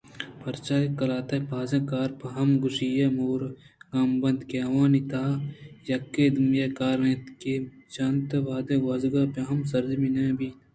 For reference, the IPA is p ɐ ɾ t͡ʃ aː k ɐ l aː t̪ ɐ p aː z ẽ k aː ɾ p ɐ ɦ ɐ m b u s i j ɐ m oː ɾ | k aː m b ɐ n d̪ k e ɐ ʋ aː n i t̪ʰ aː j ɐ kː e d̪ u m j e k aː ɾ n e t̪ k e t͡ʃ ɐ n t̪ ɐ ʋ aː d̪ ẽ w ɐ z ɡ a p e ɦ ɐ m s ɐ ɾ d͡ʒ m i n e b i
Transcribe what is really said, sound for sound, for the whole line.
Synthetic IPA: p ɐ ɾ t͡ʃ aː k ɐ l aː t̪ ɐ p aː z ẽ k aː ɾ p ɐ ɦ ɐ m ɡ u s i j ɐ m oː ɾ | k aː m b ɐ n d̪ k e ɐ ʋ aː n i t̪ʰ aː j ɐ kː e d̪ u m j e k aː ɾ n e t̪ k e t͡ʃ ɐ n t̪ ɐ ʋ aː d̪ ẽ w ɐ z ɡ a p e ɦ ɐ m s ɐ ɾ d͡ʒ m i n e b i